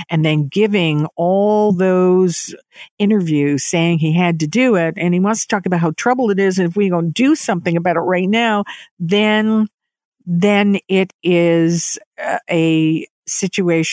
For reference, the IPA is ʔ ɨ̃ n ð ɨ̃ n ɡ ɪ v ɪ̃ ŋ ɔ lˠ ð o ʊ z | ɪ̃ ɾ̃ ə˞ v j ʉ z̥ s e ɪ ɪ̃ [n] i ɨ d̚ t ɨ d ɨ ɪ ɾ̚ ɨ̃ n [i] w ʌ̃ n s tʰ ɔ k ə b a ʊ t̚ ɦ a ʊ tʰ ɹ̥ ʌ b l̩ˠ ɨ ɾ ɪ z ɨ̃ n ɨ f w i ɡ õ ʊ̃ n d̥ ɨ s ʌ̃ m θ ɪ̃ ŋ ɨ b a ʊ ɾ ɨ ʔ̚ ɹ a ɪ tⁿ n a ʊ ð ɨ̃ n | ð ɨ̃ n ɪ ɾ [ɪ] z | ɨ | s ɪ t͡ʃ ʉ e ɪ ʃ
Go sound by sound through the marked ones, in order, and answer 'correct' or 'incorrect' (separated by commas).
incorrect, correct, correct